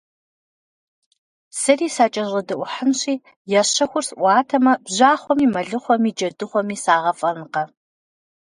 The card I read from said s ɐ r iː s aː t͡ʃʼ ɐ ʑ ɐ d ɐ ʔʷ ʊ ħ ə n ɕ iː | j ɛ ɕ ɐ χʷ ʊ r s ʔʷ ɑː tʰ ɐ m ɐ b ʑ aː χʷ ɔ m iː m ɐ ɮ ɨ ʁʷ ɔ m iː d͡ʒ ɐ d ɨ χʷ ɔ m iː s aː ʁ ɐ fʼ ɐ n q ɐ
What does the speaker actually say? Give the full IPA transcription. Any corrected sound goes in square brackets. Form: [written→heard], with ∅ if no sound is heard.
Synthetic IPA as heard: s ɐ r iː s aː t͡ʃʼ ɐ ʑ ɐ d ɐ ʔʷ ʊ ħ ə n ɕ iː | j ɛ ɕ ɐ [χʷ→xʷ] ʊ r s ʔʷ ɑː tʰ ɐ m ɐ b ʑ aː χʷ ɔ m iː m ɐ ɮ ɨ [ʁʷ→χʷ] ɔ m iː d͡ʒ ɐ d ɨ χʷ ɔ m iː s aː ʁ ɐ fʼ ɐ n q ɐ